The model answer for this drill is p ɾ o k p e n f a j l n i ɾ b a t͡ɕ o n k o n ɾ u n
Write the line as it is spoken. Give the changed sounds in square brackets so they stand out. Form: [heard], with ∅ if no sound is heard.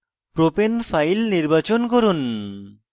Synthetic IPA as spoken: p ɾ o [∅] p e n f a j l n i ɾ b a t͡ɕ o n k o [∅] ɾ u n